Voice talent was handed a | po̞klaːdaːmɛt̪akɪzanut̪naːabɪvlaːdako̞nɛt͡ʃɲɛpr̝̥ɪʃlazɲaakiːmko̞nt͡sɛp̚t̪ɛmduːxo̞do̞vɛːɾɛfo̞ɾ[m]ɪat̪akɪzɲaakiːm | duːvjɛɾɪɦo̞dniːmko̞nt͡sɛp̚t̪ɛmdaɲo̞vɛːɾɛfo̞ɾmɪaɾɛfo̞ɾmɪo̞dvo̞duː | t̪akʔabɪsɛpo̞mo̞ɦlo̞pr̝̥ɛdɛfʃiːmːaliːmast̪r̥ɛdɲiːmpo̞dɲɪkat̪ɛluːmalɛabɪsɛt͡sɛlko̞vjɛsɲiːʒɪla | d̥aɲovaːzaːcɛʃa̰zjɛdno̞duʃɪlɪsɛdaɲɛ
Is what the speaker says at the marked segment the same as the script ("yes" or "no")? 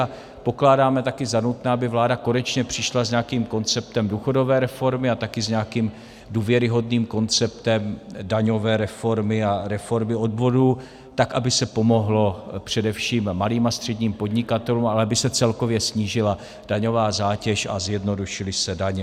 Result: yes